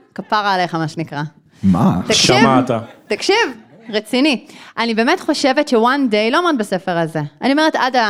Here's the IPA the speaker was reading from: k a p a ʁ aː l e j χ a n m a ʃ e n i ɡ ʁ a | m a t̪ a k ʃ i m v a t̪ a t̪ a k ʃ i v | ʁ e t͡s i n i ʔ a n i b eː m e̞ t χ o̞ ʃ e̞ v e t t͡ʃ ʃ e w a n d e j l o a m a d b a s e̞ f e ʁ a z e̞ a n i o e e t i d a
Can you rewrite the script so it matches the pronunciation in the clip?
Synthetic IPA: k a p a ʁ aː l e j χ a m a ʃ e n i k ʁ a | m a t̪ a k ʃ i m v a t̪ a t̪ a k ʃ i v | ʁ e t͡s i n i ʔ a n i b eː m e̞ t χ o̞ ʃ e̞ v e t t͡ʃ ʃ e w a n d e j l o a m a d b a s e̞ f e ʁ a z e̞ a n i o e e t a d a